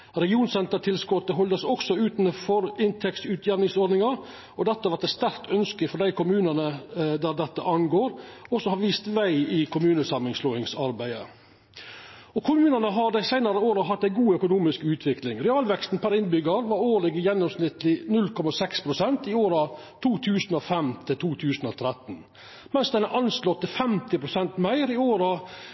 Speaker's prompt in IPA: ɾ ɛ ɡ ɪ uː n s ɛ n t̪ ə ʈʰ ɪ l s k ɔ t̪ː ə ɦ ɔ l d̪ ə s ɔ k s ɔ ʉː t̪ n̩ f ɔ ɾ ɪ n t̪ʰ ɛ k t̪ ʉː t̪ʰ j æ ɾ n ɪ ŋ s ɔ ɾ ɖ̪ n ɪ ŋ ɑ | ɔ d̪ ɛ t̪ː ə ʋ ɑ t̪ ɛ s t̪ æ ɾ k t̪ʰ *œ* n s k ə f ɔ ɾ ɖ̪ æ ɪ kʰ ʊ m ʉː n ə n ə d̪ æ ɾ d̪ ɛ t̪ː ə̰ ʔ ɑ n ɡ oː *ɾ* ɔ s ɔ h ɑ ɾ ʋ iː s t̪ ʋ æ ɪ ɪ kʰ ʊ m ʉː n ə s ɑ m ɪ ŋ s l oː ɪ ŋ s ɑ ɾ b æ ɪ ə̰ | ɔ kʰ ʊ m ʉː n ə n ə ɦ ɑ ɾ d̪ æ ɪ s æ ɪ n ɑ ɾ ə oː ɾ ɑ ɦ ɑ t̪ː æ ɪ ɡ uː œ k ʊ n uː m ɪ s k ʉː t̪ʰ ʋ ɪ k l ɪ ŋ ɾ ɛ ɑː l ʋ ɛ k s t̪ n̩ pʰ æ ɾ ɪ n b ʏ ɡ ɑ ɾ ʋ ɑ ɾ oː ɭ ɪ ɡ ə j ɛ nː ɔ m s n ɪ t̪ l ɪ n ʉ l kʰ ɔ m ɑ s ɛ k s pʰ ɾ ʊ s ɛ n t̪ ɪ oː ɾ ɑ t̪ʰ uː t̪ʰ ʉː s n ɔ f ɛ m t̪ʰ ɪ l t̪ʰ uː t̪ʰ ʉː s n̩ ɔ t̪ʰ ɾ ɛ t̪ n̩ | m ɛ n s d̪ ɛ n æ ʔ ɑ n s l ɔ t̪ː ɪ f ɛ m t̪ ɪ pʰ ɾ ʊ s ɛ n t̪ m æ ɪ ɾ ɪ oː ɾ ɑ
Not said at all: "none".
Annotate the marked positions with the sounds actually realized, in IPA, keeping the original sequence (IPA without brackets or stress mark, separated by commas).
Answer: œ, ɾ